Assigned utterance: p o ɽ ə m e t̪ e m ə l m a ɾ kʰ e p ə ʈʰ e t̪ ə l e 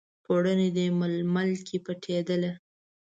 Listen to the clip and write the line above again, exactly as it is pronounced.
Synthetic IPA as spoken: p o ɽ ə n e d̪ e m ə l m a l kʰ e p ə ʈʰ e d̪ ə l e